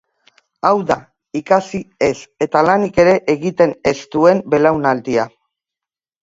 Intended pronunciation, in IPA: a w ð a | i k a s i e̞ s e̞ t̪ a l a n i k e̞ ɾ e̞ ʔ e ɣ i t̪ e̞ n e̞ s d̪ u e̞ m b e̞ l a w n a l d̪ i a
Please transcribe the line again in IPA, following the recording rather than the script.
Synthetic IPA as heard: a w ð a | i k a s i e̞ s e̞ t̪ a l a n i k e̞ ɾ e̞ ʔ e ɣ i t̪ e̞ n e̞ s t̪ u e̞ m b e̞ l a w n a l d̪ i a